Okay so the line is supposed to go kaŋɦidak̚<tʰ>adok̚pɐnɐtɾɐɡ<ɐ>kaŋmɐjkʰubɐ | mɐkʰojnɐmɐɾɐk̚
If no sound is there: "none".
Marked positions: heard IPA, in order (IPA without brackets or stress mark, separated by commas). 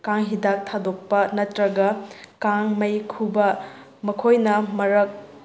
tʰ, ɐ